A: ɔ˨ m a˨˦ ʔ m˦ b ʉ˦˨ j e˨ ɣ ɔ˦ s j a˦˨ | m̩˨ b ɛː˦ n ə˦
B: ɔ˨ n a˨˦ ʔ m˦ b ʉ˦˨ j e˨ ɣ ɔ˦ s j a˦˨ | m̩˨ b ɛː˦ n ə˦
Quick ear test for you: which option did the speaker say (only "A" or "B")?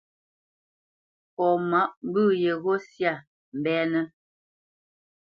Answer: A